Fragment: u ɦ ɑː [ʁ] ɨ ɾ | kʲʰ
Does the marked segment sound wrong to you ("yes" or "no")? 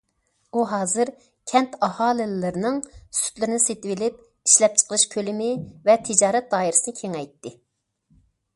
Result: yes